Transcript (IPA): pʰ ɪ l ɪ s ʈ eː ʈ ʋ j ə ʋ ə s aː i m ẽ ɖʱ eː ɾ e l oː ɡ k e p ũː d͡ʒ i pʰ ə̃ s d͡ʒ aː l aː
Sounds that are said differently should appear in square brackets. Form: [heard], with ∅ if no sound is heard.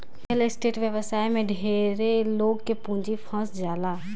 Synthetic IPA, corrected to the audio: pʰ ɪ l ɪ s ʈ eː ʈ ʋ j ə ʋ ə s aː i m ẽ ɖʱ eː ɾ e l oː ɡ k e p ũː d͡ʒ i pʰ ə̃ s d͡ʒ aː l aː